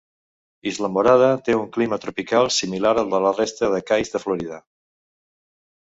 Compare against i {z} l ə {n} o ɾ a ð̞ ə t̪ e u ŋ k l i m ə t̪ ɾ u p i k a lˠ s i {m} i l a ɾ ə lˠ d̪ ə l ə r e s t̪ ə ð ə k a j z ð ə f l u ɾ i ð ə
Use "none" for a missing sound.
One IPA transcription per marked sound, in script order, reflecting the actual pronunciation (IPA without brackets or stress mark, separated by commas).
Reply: z, m, m